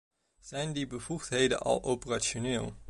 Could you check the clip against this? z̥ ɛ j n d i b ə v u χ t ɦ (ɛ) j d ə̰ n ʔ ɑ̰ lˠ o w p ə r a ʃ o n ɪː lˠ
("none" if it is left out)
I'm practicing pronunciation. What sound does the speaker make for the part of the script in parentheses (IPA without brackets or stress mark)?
e